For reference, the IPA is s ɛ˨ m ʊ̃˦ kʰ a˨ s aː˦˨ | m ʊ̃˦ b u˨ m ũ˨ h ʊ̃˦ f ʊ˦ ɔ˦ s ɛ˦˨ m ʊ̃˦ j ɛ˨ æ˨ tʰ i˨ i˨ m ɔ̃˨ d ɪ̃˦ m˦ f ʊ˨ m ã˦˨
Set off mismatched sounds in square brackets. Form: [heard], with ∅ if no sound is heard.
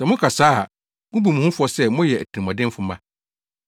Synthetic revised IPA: s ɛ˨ m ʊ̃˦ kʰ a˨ s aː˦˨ | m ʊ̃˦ b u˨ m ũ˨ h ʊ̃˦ f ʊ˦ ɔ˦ s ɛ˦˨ m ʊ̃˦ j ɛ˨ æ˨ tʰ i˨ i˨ m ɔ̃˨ d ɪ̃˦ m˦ f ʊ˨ m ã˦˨

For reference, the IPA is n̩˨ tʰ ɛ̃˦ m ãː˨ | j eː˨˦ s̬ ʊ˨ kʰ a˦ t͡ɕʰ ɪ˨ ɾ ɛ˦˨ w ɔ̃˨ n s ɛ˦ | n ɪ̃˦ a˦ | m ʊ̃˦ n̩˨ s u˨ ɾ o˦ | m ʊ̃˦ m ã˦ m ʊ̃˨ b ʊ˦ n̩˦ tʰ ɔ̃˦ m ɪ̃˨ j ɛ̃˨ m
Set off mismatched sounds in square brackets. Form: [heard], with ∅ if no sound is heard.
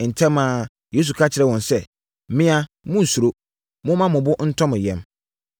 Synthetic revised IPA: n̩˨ tʰ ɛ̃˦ m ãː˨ | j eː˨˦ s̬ [u˨] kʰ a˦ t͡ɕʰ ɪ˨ ɾ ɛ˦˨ w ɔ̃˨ n s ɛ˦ | [m] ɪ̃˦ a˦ | m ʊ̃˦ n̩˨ s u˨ ɾ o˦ | m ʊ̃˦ m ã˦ m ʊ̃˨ b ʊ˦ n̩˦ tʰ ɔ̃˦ m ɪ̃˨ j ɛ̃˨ m

